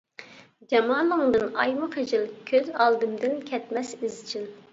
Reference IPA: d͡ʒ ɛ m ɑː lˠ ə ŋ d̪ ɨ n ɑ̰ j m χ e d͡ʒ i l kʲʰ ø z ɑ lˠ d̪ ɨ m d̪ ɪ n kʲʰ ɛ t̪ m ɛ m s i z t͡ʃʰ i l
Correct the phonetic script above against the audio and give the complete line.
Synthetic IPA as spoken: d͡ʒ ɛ m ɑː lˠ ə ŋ d̪ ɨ n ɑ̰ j m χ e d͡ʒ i l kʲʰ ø z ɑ lˠ d̪ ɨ m d̪ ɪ n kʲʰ ɛ t̪ m ɛ s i z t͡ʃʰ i l